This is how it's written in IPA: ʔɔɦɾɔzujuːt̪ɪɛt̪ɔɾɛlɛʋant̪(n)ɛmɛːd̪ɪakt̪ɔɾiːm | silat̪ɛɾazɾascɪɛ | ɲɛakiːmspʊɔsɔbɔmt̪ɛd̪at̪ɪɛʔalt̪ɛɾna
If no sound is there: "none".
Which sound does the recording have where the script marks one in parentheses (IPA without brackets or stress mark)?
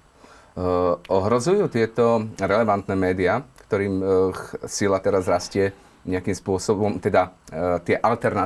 n